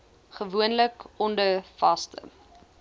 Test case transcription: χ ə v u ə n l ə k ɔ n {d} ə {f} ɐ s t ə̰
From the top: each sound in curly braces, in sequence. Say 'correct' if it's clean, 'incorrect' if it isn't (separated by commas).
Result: correct, correct